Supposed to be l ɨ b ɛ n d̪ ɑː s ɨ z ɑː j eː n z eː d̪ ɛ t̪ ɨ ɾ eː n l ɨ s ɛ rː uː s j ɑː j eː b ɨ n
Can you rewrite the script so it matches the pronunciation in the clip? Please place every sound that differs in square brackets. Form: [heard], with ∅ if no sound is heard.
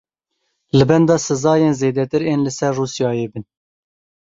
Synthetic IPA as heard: l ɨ b ɛ n d̪ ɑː s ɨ z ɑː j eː n z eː d̪ ɛ t̪ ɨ ɾ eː n l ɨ s ɛ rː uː s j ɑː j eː b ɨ n